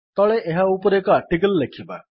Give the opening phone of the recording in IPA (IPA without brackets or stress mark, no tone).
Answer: t̪